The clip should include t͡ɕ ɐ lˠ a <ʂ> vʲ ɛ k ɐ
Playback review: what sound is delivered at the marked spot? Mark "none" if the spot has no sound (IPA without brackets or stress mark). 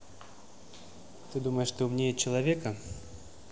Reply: none